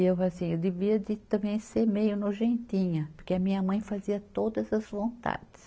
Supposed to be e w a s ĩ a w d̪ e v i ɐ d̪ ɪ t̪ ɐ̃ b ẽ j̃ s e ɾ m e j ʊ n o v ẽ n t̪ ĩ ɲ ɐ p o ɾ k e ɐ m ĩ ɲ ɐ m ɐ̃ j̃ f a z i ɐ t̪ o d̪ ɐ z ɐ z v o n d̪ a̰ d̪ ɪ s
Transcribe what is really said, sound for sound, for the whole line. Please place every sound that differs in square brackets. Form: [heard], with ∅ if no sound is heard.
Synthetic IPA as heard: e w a s ĩ [e] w d̪ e v i ɐ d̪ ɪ t̪ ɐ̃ b ẽ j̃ s e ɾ m e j ʊ n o [ʒ] ẽ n t̪ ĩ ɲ ɐ p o ɾ k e ɐ m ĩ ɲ ɐ m ɐ̃ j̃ f a z i ɐ t̪ o d̪ ɐ z ɐ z v [õ] n [t̪] a̰ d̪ ɪ s